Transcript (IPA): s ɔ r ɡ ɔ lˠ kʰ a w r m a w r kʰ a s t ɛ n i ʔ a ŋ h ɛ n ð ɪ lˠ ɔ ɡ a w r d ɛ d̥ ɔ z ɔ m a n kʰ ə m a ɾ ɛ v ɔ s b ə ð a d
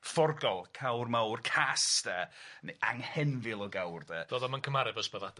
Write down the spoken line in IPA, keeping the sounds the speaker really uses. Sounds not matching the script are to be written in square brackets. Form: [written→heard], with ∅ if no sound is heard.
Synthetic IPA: [s→f] ɔ r ɡ ɔ lˠ kʰ a w r m a w r kʰ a s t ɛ n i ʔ a ŋ h ɛ n [ð→v] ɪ lˠ ɔ ɡ a w r d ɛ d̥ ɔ [z→ð] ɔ m a n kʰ ə m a ɾ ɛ v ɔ s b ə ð a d